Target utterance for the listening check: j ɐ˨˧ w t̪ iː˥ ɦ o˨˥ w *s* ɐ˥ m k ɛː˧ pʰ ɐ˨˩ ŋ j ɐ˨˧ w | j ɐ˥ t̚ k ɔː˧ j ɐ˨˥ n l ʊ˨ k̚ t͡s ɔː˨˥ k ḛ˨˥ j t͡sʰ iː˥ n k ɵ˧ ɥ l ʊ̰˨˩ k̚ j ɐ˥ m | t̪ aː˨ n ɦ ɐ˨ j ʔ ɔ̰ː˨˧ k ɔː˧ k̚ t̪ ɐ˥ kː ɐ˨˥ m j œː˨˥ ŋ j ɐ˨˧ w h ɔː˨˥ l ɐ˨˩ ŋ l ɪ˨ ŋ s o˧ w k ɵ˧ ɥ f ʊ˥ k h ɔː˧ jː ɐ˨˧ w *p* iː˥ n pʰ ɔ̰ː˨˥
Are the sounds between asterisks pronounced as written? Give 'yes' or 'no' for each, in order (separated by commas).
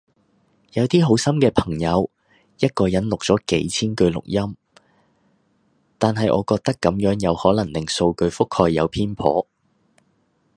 yes, no